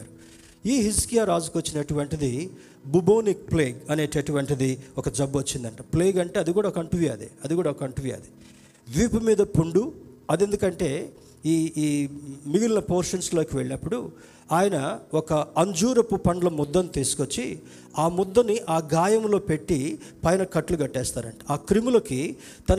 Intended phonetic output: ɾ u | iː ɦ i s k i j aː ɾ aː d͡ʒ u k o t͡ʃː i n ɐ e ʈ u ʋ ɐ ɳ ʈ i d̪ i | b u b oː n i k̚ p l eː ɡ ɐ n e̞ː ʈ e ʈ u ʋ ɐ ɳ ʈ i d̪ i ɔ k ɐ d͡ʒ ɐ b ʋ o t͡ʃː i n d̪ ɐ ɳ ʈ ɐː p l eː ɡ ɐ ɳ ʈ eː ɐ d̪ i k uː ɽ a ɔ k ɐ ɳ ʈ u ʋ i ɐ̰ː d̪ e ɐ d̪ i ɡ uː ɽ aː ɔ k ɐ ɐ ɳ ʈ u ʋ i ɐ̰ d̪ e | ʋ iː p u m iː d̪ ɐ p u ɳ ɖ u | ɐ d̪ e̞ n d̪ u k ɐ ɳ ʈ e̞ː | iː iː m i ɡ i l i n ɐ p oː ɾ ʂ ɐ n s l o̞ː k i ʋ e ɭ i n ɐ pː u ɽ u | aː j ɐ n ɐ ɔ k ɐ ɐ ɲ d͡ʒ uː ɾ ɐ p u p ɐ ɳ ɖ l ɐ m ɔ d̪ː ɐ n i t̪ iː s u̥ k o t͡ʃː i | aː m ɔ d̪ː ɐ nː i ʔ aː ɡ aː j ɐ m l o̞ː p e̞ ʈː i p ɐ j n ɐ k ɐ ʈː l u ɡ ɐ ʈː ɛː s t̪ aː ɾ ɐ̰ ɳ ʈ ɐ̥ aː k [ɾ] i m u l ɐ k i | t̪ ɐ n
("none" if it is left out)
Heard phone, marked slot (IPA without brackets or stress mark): ɾ